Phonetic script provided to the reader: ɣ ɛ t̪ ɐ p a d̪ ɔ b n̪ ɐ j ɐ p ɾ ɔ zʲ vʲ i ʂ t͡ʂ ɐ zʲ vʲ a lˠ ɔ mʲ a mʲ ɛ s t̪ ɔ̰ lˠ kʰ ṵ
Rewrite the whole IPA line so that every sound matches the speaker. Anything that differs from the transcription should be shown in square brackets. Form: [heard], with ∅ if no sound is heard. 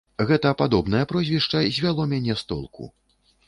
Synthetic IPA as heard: ɣ ɛ t̪ ɐ p a d̪ ɔ b n̪ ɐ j ɐ p ɾ ɔ zʲ vʲ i ʂ t͡ʂ ɐ zʲ vʲ a lˠ ɔ mʲ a [nʲ] ɛ s t̪ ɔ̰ lˠ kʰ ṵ